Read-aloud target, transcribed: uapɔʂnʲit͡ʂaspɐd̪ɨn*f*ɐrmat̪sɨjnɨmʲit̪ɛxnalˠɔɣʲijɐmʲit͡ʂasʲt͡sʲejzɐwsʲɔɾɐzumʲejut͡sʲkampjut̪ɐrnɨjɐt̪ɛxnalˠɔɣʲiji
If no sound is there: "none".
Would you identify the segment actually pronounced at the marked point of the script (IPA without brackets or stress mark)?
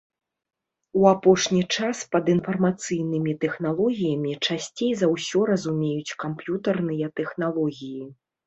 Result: f